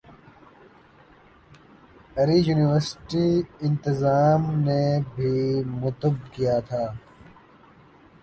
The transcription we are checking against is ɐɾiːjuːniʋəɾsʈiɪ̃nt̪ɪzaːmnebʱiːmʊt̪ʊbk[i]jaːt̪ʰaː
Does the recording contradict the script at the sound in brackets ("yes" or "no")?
no